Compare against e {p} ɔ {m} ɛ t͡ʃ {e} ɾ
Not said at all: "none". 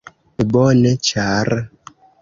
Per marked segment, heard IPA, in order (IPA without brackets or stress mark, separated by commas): b, n, a